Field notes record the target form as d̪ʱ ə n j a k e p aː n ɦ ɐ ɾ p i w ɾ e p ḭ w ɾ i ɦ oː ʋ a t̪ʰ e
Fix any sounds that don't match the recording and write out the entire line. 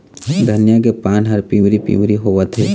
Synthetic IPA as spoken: d̪ʱ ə n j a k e p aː n ɦ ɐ ɾ p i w ɾ i p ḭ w ɾ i ɦ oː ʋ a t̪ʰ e